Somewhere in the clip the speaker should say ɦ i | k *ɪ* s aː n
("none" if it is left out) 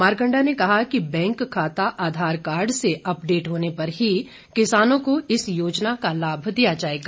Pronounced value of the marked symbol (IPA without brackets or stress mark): ɪ